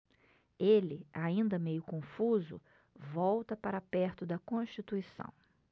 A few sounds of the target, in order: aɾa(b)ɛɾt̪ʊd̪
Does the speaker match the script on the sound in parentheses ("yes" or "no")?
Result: no